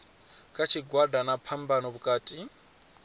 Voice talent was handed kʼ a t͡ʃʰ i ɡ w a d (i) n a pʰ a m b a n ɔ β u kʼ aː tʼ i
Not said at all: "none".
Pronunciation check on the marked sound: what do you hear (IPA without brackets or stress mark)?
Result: a